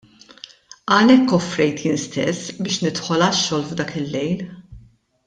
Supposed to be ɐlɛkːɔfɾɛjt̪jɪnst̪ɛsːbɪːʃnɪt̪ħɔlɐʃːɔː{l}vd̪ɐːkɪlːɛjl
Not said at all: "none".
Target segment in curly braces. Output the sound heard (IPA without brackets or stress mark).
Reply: l